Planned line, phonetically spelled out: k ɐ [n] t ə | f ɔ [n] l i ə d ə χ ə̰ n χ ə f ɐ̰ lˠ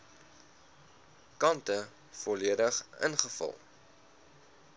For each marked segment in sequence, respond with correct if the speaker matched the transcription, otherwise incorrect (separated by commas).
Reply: correct, incorrect